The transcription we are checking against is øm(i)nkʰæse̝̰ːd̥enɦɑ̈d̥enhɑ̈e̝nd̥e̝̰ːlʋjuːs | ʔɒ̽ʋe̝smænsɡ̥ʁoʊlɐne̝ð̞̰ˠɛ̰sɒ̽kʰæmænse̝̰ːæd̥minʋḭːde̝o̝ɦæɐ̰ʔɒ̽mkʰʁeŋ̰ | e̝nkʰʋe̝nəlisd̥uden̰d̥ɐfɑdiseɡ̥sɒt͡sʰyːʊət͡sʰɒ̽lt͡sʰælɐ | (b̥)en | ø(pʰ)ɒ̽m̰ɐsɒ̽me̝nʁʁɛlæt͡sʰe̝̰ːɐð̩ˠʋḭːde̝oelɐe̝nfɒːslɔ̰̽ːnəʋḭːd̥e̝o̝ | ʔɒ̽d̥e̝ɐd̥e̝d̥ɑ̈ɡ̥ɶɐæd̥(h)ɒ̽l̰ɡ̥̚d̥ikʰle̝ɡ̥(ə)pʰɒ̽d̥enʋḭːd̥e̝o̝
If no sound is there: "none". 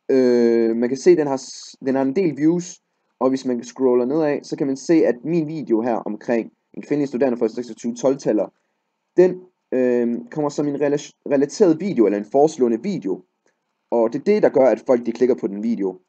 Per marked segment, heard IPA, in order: æ, d̥, kʰ, f, ɐ

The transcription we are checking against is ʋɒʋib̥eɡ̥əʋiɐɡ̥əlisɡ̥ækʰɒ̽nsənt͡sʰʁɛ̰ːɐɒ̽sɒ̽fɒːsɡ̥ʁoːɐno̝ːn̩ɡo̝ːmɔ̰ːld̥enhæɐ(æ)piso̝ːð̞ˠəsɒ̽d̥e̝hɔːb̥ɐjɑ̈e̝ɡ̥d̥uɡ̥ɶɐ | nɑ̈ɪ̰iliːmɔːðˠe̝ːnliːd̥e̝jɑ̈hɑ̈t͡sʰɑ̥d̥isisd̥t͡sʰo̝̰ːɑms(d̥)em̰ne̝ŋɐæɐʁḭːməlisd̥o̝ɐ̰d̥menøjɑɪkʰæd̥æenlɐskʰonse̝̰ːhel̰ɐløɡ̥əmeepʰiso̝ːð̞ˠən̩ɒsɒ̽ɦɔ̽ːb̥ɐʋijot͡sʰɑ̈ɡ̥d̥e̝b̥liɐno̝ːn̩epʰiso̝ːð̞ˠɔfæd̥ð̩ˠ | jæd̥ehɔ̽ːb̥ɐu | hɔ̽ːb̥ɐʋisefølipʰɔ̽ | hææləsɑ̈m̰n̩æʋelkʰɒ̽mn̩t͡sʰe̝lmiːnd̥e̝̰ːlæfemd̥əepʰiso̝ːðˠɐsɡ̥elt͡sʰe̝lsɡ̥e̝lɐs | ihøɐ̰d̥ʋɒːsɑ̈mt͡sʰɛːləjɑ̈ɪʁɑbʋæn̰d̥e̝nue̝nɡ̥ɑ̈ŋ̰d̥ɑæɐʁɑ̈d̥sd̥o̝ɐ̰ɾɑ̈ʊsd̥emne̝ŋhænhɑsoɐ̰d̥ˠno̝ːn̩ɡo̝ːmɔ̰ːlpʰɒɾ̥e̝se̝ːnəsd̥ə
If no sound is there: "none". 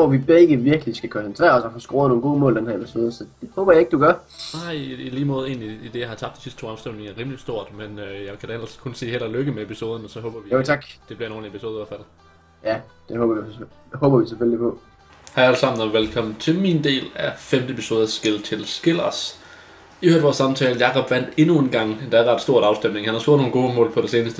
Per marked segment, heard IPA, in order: e, d̥

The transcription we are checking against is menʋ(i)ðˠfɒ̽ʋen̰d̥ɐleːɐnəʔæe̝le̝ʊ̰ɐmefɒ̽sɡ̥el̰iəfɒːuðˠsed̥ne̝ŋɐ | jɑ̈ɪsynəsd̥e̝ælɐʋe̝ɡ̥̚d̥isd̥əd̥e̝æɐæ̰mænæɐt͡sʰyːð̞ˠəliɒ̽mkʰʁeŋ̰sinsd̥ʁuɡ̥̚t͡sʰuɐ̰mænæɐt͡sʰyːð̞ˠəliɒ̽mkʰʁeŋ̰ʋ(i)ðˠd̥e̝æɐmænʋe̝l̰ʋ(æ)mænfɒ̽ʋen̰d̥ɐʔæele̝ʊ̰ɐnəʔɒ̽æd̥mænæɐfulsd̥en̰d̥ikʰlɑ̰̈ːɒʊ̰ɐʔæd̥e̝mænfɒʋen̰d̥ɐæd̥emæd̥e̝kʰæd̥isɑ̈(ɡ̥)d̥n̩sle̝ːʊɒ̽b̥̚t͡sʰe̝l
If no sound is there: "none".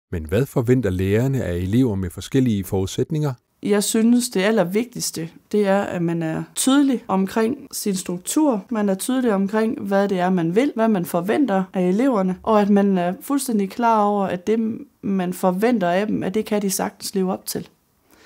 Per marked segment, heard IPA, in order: æ, æ, æ, ɡ̥

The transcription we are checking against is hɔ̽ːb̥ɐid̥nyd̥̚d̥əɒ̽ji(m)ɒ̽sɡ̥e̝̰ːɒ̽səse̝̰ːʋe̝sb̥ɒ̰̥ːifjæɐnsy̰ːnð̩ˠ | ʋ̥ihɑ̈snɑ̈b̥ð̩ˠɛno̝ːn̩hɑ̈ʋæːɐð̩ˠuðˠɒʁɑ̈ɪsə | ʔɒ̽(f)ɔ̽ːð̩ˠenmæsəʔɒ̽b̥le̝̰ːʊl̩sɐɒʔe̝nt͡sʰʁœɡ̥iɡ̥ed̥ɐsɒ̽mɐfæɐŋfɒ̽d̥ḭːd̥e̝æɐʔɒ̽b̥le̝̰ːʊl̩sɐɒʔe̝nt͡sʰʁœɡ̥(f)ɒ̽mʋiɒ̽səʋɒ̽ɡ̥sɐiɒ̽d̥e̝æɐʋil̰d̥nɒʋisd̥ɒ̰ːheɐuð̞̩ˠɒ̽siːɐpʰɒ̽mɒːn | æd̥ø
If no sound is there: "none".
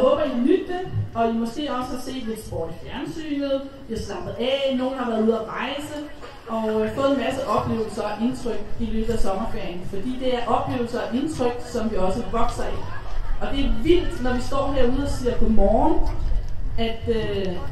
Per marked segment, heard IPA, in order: m, f, s

